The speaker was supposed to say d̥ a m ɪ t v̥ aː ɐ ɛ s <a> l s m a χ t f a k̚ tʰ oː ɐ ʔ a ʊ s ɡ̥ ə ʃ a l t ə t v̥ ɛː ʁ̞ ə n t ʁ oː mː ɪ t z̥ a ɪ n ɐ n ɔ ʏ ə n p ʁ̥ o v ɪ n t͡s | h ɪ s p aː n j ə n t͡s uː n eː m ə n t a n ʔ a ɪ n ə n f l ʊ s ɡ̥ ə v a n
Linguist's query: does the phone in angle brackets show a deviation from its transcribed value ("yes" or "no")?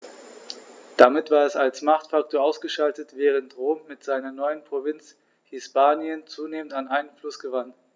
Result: no